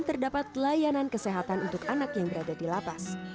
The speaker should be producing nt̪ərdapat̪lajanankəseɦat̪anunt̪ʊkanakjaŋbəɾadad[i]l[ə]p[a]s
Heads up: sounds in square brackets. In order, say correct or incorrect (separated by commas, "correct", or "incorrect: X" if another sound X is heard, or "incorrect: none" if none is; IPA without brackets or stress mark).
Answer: correct, incorrect: a, correct